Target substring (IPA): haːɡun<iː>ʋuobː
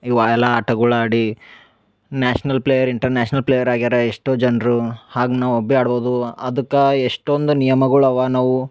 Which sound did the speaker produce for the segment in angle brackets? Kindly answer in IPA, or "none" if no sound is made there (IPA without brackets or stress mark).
aː